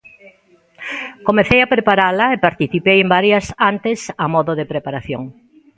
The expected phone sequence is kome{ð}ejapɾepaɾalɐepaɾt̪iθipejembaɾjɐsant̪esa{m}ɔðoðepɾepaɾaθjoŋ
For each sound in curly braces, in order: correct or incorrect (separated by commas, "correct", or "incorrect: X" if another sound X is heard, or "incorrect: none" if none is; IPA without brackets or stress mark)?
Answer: incorrect: θ, correct